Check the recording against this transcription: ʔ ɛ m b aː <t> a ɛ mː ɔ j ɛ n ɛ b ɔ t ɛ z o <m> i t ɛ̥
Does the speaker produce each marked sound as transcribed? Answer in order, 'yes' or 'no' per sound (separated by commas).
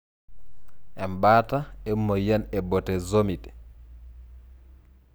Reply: yes, yes